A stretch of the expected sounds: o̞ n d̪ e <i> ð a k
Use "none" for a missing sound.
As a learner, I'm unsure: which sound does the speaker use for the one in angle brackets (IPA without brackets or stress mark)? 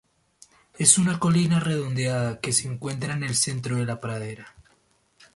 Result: a